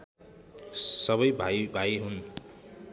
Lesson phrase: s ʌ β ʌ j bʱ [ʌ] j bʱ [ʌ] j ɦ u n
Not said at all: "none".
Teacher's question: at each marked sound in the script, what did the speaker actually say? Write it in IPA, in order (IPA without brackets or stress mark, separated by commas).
a, a